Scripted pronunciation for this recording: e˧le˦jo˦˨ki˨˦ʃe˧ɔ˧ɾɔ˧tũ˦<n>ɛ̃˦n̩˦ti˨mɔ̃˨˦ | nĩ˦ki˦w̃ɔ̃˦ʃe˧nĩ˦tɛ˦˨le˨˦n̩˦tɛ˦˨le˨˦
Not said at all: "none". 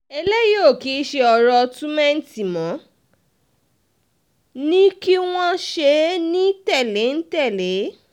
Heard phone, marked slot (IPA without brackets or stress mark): m